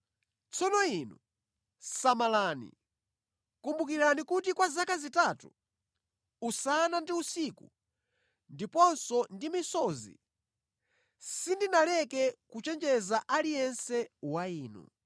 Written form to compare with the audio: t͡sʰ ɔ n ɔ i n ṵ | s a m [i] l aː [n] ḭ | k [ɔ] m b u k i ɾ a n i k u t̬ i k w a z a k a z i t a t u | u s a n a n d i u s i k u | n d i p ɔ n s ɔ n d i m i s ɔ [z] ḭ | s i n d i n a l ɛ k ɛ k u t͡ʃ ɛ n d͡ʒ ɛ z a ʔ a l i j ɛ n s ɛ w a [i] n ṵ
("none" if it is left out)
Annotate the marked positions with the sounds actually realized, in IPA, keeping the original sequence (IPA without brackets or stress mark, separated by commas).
a, n, u, z, iː